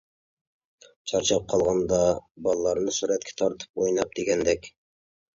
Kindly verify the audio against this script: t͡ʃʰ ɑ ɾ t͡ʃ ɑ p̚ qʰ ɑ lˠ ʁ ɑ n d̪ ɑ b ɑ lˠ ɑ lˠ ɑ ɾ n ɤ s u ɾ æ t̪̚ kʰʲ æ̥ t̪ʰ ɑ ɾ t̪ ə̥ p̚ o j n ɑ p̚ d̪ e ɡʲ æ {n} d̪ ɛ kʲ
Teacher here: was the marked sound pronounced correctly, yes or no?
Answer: yes